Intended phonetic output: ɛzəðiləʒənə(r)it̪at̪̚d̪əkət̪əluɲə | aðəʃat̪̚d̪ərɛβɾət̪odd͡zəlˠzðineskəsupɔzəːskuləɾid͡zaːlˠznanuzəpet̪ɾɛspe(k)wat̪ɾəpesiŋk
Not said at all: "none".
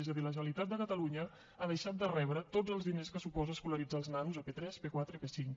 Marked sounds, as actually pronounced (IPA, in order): l, k

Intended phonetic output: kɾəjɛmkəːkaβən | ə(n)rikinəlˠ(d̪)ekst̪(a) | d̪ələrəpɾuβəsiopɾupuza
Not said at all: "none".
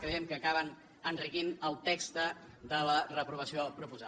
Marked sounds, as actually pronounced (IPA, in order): n, t̪, ə

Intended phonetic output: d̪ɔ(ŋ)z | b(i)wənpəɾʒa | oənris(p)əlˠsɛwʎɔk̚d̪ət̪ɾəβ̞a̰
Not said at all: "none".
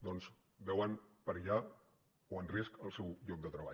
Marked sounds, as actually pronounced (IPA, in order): n, ɛ, k

